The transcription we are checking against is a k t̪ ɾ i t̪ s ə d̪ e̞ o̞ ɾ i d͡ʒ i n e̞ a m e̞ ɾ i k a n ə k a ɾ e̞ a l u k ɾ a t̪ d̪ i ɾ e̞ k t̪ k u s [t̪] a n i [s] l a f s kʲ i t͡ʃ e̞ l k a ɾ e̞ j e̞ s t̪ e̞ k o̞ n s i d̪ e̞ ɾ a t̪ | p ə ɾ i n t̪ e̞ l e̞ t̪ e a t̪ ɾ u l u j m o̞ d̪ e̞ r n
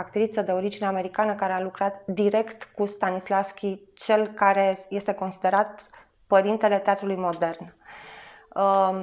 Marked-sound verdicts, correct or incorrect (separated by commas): correct, correct